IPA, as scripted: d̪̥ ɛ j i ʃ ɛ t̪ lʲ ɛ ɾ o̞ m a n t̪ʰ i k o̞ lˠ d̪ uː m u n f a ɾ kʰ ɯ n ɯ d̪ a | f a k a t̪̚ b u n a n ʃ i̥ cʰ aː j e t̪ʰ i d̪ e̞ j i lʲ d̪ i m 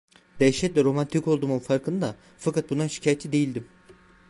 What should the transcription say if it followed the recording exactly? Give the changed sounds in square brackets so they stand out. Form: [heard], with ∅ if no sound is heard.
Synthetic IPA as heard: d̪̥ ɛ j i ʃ ɛ t̪ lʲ ɛ ɾ o̞ m a n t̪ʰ i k o̞ lˠ d̪ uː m u n f a ɾ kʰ ɯ n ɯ d̪ a | f a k a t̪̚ b u n a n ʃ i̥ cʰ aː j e t̪ʰ i d̪ e̞ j i lʲ d̪ i m